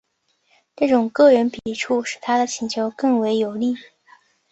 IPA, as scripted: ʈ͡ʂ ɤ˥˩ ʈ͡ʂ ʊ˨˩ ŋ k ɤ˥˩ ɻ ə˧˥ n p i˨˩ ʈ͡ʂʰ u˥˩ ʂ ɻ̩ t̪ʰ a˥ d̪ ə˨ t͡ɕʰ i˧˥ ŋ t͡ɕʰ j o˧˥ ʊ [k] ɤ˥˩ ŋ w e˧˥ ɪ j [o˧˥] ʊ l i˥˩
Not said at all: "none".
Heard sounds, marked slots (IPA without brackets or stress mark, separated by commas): k, o˨˩